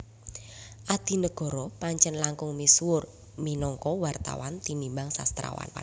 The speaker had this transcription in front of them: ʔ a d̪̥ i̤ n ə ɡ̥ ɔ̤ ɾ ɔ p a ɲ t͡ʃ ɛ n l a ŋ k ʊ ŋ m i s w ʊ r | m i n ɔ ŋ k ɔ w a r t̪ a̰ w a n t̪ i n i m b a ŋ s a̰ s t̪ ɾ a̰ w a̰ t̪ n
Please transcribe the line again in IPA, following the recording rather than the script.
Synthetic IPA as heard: ʔ a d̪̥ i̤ n ə ɡ̥ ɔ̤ ɾ ɔ p a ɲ t͡ʃ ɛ n l a ŋ k ʊ ŋ m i s w ʊ r | m i n ɔ ŋ k ɔ w a r t̪ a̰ w a n t̪ i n i m b a ŋ s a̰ s t̪ ɾ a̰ w a̰ n